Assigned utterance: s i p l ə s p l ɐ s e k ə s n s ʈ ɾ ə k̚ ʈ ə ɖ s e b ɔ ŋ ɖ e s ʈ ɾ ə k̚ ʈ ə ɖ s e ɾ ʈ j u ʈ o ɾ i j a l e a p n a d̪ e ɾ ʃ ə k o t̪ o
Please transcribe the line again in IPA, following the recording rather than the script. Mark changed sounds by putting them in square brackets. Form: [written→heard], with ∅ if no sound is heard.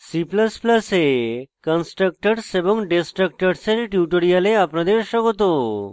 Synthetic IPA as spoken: s i p l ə s p l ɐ s e k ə [s→∅] n s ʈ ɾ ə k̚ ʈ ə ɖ s e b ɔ ŋ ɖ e s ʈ ɾ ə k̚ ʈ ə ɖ s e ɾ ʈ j u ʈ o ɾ i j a l e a p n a d̪ e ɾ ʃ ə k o t̪ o